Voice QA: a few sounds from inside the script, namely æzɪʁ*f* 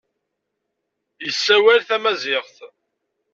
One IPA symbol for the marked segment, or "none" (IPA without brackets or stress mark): θ